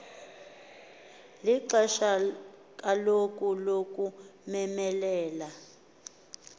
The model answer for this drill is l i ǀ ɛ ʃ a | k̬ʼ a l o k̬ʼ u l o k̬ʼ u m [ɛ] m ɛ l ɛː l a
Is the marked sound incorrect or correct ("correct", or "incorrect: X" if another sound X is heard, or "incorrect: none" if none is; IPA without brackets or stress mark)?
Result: correct